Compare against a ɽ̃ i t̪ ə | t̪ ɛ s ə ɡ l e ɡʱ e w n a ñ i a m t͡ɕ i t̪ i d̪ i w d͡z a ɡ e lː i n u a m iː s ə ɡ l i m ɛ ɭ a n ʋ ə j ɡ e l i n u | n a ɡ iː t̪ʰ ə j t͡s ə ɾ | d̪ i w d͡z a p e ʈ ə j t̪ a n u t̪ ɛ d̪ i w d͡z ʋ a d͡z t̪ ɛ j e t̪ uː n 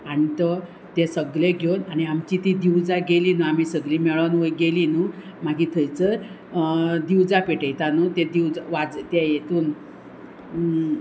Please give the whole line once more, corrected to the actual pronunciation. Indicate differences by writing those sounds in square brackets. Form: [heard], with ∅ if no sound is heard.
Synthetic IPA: a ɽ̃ i t̪ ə | t̪ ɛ s ə ɡ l e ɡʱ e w n a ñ i a m t͡ɕ i t̪ i d̪ i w d͡z a ɡ e [l] i n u a m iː s ə ɡ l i m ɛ ɭ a n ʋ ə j ɡ e l i n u | [m] a ɡ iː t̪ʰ ə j t͡s ə ɾ | d̪ i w d͡z a p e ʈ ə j t̪ a n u t̪ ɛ d̪ i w d͡z ʋ a d͡z t̪ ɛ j e t̪ uː n